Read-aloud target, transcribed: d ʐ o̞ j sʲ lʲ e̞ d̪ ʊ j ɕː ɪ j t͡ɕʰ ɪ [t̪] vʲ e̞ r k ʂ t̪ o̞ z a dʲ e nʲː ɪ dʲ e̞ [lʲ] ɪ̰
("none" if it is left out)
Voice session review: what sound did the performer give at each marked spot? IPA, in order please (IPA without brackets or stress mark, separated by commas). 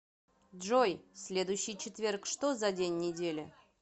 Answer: t̪, lʲ